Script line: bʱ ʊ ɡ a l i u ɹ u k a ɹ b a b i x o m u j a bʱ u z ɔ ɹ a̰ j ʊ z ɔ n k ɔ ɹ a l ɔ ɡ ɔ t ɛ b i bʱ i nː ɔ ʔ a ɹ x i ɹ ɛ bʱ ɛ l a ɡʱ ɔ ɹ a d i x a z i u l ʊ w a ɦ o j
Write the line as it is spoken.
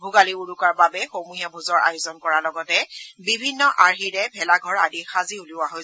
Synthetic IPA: bʱ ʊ ɡ a l i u ɹ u k a ɹ b a b ɛ x o m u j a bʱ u z ɔ ɹ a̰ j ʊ z ɔ n k ɔ ɹ a l ɔ ɡ ɔ t ɛ b i bʱ i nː ɔ ʔ a ɹ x i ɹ ɛ bʱ ɛ l a ɡʱ ɔ ɹ a d i x a z i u l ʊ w a ɦ o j